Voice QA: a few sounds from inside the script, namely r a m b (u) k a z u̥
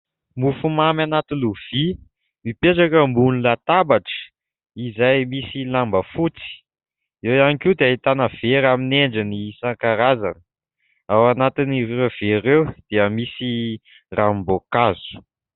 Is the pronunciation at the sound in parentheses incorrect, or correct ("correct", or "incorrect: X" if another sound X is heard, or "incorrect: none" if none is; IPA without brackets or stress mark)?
incorrect: o